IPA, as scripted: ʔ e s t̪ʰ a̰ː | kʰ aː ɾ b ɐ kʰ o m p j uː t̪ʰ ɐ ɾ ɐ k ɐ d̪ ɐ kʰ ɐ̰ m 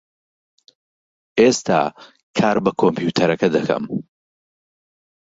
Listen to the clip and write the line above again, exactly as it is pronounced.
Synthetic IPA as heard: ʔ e s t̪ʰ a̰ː | kʰ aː ɾ b ɐ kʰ o m p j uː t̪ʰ ɐ ɾ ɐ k ɐ d̪ ɐ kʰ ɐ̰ m